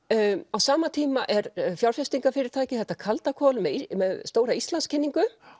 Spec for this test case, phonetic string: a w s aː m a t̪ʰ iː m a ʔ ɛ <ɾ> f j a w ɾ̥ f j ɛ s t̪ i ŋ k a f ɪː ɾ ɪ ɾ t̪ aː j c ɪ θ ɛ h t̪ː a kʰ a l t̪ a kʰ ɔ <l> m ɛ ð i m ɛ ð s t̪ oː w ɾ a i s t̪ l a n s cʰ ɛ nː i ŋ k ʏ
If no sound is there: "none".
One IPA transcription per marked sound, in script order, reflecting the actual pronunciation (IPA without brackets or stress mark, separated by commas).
ɾ, l